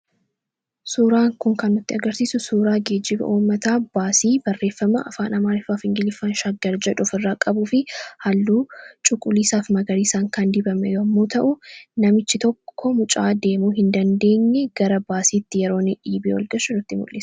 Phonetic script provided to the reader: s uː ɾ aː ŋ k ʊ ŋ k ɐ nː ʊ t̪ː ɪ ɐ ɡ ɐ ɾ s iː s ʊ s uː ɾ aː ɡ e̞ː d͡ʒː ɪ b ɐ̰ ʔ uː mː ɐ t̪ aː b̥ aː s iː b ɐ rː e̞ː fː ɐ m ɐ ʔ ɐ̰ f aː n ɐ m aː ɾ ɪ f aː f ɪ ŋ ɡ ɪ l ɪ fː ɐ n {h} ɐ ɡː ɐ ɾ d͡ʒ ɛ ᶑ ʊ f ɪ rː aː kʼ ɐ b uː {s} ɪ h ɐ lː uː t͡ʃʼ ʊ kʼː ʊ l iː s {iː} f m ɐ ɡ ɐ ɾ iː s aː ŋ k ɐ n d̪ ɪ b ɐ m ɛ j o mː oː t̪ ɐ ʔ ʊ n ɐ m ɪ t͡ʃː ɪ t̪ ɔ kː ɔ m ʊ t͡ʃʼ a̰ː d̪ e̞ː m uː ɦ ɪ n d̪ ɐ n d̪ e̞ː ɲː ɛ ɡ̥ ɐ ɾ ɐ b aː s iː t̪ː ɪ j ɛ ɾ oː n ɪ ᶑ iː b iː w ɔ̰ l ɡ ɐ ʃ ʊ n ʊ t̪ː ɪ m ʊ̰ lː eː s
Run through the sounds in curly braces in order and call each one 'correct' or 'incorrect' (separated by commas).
incorrect, incorrect, incorrect